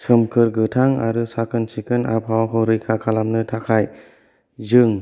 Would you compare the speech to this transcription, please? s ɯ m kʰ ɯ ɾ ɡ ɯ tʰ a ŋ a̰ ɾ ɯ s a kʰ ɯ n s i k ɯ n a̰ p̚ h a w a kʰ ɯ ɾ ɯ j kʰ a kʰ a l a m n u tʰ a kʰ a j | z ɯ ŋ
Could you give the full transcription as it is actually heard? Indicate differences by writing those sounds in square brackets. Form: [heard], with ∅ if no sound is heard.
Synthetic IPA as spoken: s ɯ m kʰ ɯ ɾ ɡ ɯ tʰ a ŋ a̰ ɾ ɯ s a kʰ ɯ n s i k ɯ n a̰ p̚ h a w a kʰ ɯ ɾ ɯ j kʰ a kʰ a l a m n [ɯ] tʰ a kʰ a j | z ɯ ŋ